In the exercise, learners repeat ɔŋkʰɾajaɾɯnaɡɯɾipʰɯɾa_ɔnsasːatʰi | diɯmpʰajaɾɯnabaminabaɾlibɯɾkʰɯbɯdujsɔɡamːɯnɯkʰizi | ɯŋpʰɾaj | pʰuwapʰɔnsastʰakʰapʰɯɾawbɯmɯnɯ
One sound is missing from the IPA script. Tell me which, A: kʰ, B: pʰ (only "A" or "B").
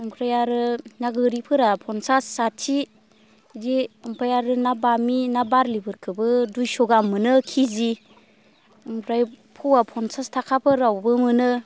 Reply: B